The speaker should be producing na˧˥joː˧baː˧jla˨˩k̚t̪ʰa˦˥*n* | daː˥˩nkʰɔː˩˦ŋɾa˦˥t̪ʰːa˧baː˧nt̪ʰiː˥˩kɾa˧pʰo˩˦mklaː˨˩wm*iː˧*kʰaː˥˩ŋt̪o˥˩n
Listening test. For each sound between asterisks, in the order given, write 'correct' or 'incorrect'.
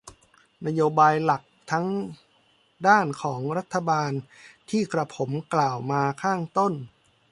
incorrect: ŋ, incorrect: aː˧

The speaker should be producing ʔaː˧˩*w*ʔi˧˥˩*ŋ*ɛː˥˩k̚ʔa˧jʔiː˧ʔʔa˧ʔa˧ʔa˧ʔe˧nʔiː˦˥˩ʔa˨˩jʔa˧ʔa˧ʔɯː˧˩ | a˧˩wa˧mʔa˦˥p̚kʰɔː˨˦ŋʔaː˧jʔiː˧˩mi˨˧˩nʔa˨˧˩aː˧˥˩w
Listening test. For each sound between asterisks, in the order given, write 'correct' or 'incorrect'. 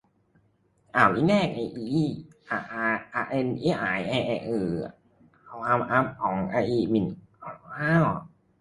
correct, incorrect: n

